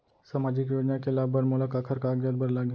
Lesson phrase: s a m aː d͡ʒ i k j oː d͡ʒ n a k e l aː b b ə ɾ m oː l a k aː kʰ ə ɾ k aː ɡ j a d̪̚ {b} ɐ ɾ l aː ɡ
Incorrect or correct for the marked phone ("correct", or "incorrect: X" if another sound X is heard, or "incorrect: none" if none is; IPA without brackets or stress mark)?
correct